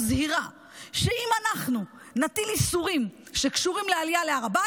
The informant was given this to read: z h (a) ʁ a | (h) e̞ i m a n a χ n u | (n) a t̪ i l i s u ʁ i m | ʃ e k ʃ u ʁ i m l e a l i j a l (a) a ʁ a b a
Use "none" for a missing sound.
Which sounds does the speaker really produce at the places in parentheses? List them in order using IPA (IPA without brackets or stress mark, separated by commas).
i, ʃ, n, e